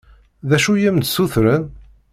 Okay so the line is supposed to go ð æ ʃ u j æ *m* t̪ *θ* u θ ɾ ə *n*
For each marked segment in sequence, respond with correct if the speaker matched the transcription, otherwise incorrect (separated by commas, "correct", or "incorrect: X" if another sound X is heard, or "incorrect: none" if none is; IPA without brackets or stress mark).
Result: correct, incorrect: s, correct